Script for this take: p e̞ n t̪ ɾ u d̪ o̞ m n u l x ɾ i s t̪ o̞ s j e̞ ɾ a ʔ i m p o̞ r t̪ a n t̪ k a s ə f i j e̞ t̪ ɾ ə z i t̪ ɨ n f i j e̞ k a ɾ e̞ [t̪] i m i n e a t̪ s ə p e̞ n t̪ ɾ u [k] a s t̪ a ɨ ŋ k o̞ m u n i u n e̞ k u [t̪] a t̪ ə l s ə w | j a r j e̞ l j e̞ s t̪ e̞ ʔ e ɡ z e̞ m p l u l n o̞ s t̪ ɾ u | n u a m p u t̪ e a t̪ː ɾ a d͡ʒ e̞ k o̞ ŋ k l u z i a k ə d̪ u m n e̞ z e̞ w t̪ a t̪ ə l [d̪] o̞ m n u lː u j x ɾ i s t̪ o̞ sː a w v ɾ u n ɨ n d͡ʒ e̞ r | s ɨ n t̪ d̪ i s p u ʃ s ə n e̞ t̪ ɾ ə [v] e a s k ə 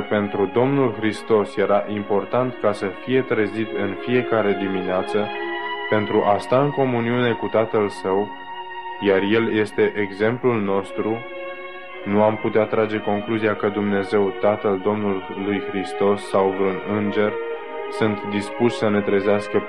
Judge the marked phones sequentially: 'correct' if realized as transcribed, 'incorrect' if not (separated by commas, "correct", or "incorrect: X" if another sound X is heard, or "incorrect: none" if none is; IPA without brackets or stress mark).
incorrect: d̪, incorrect: ʔ, correct, correct, incorrect: z